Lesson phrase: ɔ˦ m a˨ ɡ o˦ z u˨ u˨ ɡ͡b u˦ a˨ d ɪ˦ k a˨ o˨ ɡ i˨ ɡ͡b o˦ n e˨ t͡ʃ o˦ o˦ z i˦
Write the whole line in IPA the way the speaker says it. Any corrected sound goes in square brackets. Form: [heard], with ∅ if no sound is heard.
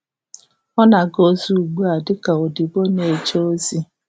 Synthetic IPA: ɔ˦ [n] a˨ ɡ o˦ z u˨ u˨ ɡ͡b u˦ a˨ d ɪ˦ k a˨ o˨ [d] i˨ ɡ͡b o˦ n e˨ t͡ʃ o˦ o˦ z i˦

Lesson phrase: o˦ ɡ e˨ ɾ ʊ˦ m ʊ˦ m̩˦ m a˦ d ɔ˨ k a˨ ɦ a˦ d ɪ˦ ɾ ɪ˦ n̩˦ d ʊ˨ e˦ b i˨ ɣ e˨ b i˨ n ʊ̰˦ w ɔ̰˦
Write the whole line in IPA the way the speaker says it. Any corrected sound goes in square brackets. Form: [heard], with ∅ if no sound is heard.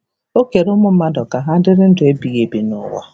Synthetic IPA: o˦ [k] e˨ ɾ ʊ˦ m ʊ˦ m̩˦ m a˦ d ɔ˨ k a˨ ɦ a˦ d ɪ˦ ɾ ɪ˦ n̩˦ d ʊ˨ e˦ b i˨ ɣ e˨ b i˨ n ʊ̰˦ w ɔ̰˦

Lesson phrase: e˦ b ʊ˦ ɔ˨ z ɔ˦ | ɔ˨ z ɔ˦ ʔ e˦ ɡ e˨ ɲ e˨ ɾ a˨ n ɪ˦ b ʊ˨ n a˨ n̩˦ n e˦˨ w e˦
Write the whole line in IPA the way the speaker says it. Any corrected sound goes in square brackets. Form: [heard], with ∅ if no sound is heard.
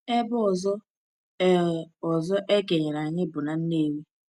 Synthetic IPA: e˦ b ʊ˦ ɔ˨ z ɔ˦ | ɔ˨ z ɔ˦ ʔ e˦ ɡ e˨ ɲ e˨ ɾ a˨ [ɲ] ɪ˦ b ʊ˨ n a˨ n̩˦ n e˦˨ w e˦

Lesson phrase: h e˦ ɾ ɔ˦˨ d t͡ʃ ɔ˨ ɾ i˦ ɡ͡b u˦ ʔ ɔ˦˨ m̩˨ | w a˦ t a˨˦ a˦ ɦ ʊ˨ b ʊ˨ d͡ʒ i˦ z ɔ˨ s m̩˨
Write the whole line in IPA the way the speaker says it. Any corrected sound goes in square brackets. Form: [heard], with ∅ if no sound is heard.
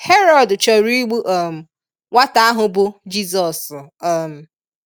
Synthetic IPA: h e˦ ɾ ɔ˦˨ d t͡ʃ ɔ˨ ɾ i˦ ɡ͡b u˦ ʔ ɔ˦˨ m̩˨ | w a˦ t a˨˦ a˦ ɦ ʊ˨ b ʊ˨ d͡ʒ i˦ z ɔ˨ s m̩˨

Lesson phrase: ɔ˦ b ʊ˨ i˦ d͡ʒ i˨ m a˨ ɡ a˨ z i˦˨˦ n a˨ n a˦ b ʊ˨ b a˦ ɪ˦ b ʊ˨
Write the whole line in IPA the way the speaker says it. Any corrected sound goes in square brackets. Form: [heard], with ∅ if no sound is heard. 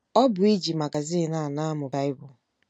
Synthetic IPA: ɔ˦ b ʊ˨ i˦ d͡ʒ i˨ m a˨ ɡ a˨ z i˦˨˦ n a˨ n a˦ [m] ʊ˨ b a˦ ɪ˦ b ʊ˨

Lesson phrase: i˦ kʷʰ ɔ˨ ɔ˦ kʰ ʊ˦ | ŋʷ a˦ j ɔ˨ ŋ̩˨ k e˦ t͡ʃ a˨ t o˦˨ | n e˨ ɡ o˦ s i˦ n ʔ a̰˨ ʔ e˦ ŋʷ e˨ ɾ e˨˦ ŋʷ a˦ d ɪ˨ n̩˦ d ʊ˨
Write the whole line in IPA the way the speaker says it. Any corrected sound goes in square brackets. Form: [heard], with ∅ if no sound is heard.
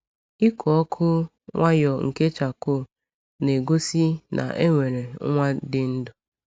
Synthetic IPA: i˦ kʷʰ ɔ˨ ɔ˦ kʰ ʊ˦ | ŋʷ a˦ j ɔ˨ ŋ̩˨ k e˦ t͡ʃ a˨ [k] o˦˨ | n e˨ ɡ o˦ s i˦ n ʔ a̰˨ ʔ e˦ ŋʷ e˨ ɾ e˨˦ ŋʷ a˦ d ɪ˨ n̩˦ d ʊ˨

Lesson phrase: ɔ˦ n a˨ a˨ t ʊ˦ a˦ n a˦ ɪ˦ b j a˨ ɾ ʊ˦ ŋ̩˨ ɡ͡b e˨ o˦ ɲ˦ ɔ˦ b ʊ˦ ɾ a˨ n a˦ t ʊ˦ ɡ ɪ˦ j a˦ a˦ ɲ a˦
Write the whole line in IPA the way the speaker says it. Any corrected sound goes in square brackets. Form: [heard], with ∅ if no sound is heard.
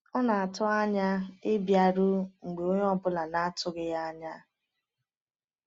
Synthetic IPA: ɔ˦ n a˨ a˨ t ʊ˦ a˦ [ɲ] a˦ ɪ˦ b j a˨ ɾ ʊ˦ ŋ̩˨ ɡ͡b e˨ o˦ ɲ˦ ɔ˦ b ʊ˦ [l] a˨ n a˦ t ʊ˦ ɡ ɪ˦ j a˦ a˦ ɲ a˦

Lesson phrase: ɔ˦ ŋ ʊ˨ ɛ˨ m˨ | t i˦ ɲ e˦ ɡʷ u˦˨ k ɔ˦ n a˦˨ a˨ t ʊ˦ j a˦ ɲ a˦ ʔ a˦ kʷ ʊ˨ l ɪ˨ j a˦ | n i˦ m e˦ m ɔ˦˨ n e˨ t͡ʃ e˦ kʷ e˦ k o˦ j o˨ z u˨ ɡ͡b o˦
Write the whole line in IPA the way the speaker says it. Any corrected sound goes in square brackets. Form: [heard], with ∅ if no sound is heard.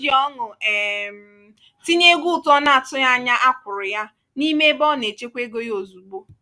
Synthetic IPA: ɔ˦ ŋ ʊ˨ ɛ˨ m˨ | t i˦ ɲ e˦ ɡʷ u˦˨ [t] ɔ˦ n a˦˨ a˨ t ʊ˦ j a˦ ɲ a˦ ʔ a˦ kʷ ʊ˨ [ɾ] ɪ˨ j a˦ | n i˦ m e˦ [b] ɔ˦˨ n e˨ t͡ʃ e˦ kʷ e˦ [ɡ] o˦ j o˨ z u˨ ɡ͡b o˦

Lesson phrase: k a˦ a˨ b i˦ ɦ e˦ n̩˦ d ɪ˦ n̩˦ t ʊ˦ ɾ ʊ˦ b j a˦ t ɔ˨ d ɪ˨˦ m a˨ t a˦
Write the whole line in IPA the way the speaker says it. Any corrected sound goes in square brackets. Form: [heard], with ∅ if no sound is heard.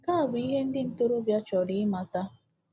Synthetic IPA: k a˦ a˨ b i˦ ɦ e˦ n̩˦ d ɪ˦ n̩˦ t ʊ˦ ɾ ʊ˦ b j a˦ [t͡ʃ] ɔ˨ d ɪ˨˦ m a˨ t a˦

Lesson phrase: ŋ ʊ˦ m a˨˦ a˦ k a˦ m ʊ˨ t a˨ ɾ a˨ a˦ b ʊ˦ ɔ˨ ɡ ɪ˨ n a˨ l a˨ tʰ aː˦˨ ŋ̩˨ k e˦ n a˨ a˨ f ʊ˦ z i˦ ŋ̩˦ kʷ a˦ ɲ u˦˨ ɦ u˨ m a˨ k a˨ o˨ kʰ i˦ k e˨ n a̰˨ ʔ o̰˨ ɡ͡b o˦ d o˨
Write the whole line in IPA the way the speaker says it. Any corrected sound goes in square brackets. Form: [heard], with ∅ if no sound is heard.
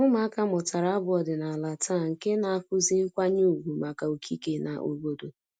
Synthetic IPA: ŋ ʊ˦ m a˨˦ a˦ k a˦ m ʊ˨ t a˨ ɾ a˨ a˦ b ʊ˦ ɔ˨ [d] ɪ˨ n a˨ l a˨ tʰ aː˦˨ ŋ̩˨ k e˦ n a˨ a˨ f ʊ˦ z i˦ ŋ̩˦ kʷ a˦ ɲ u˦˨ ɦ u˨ m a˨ k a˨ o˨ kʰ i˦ k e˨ n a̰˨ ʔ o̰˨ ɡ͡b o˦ d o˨

